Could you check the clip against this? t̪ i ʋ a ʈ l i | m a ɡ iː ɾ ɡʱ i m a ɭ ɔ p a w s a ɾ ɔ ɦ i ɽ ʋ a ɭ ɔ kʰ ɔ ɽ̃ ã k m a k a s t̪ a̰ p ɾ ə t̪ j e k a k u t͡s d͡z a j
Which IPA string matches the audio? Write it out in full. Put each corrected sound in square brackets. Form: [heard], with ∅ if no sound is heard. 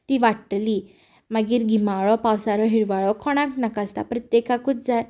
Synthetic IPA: t̪ i ʋ a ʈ l i | m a ɡ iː ɾ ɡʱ i m a ɭ ɔ p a w s a ɾ ɔ ɦ i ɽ ʋ a ɭ ɔ kʰ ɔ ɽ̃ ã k [n] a k a s t̪ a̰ p ɾ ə t̪ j e k a k u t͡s d͡z a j